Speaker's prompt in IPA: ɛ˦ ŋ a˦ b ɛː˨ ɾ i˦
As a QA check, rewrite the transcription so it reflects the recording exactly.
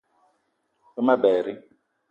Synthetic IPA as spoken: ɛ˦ m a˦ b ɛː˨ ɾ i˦